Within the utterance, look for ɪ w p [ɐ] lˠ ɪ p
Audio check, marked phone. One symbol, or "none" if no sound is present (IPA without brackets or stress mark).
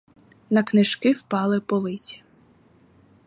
ɑ